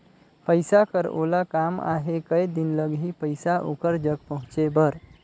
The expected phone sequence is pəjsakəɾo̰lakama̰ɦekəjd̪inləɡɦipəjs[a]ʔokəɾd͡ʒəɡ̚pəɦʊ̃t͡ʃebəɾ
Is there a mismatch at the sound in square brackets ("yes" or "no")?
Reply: no